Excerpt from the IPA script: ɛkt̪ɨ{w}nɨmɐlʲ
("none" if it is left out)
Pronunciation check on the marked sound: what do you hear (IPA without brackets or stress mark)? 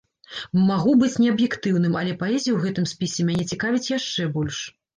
w